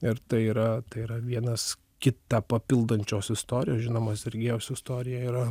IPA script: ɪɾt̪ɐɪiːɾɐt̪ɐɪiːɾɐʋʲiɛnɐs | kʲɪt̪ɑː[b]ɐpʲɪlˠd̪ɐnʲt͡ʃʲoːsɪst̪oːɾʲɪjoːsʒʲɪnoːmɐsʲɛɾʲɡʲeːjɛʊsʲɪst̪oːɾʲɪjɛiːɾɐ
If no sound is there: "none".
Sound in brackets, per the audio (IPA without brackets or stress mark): p